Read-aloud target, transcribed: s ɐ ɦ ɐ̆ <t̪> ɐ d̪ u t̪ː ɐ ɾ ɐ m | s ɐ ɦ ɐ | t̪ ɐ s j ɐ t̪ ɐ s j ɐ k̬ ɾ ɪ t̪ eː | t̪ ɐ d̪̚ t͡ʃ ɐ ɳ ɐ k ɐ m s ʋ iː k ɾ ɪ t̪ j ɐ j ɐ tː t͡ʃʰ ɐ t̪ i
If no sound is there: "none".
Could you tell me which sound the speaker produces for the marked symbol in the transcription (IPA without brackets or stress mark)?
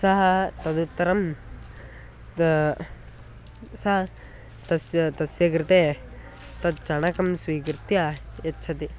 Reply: t̪